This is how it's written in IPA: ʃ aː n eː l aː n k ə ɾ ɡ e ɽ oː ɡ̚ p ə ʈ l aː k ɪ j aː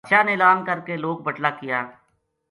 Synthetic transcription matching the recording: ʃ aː n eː l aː n k ə ɾ k e l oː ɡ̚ b ə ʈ l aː k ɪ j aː